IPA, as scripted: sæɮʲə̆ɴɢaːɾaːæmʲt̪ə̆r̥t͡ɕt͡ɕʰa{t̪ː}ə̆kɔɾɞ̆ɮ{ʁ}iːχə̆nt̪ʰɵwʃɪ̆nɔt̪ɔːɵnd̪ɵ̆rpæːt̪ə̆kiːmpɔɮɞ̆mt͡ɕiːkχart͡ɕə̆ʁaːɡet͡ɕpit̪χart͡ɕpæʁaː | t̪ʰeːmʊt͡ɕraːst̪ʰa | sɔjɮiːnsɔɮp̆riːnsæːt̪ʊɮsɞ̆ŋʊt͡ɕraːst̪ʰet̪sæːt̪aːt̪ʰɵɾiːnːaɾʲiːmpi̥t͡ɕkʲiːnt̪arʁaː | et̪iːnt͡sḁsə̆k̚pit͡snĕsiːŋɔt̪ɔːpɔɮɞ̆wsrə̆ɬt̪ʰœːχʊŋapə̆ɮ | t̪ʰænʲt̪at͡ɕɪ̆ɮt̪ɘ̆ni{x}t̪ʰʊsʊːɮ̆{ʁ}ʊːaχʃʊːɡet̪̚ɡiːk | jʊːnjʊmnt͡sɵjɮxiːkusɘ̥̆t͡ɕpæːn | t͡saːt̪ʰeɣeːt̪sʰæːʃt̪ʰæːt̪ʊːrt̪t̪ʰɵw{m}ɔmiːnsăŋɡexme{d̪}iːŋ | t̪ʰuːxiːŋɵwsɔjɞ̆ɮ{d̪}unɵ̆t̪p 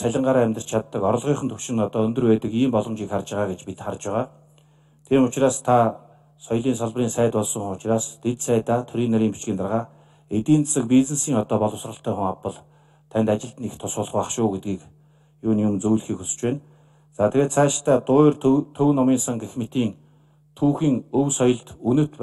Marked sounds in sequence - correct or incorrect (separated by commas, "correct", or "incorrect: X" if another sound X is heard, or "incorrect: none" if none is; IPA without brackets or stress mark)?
correct, correct, correct, incorrect: χ, incorrect: n, incorrect: t̪, incorrect: t̪